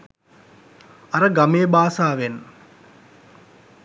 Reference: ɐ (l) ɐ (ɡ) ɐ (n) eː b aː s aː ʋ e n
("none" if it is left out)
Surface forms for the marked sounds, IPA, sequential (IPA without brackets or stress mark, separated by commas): ɾ, ɡ, m